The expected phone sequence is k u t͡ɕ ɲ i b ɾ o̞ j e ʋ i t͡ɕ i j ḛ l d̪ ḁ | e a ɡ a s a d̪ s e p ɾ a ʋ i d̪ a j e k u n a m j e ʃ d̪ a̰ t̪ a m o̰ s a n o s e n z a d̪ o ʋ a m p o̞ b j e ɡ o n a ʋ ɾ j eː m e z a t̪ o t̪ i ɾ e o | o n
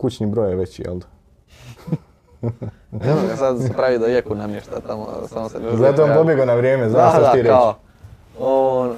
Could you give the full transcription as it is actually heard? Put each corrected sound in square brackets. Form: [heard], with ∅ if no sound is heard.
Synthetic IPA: k u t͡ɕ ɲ i b ɾ o̞ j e ʋ [e] t͡ɕ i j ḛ l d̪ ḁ | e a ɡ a s a d̪ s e p ɾ a ʋ i d̪ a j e k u n a m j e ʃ [t̪] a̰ t̪ a m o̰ s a [m] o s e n z a [t̪] o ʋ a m p o̞ b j e ɡ o n a ʋ ɾ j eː m e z a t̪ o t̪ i ɾ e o | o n